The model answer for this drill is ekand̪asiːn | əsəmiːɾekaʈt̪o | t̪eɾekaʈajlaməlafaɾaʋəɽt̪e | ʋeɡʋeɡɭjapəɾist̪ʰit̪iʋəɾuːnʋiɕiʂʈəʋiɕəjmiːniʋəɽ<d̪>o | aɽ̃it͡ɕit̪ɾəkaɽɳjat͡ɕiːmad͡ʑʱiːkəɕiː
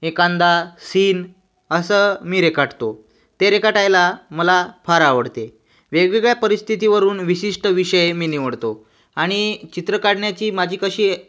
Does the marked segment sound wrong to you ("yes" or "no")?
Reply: yes